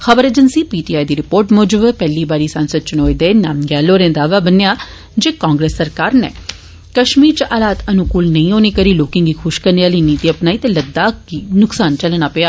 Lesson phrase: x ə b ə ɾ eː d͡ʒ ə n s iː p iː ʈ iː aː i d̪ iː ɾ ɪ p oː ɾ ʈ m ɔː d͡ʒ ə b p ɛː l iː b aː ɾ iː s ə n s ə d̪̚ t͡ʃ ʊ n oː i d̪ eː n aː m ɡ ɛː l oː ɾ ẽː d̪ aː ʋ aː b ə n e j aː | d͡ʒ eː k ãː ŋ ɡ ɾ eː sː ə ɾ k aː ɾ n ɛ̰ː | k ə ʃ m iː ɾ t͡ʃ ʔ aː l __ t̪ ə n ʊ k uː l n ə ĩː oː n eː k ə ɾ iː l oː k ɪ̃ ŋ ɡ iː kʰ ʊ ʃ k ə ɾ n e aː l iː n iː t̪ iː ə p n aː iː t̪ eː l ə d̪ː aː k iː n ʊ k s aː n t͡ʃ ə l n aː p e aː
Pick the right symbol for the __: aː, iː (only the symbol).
aː